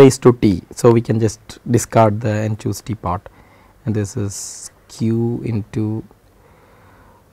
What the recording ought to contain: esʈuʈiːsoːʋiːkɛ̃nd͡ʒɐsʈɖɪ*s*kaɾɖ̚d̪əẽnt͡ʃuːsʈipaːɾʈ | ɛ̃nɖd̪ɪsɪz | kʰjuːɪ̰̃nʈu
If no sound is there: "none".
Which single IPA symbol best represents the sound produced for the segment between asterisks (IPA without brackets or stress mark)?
s